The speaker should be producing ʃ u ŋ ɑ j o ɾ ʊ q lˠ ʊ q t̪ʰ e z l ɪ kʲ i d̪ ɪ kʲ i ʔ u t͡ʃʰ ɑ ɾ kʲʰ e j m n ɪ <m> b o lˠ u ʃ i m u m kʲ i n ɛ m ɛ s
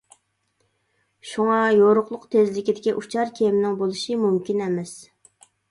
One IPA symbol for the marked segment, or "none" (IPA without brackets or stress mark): ŋ